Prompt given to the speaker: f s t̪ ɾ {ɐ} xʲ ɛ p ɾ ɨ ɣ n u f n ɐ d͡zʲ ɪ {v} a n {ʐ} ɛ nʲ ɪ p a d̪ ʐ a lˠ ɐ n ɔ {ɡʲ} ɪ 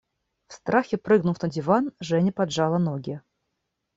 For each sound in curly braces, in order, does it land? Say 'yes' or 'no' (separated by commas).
no, yes, yes, yes